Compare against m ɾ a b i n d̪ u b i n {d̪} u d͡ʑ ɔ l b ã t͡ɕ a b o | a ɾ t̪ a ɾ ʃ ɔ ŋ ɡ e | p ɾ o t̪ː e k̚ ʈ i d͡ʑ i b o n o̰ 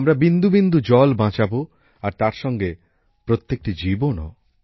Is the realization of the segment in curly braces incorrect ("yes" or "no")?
no